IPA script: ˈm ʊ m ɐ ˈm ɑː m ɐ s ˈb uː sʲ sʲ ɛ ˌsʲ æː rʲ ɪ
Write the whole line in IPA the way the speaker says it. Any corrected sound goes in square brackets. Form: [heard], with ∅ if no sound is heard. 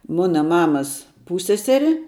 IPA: ˈm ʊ [n] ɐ ˈm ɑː m ɐ s [ˈp] uː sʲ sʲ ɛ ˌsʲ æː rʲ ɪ